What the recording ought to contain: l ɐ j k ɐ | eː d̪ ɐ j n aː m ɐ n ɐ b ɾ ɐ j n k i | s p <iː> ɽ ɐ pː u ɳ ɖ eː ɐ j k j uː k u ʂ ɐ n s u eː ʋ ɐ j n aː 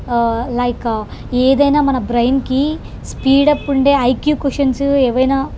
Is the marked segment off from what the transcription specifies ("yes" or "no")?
no